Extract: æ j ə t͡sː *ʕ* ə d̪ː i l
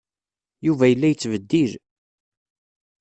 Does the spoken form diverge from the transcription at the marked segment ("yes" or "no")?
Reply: yes